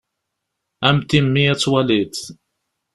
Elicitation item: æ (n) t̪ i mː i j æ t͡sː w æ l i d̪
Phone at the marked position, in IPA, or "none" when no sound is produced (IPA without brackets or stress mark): m